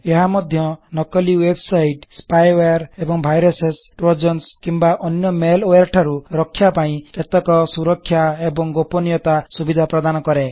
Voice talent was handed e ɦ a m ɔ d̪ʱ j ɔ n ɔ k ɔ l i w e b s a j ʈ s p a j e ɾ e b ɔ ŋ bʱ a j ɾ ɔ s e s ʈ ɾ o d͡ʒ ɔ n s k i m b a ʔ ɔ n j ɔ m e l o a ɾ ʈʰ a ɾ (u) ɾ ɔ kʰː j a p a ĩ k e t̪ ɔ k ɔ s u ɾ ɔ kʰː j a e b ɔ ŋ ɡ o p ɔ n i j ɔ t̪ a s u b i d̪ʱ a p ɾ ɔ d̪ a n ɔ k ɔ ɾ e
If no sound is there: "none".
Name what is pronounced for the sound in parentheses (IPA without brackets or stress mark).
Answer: u